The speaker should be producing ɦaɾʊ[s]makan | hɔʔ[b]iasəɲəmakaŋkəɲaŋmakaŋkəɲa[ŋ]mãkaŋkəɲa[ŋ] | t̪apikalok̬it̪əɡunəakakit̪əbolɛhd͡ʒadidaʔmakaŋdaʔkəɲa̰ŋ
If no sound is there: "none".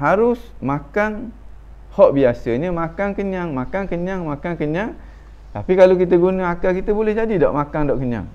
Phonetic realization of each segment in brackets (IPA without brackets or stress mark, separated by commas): s, b, ŋ, ŋ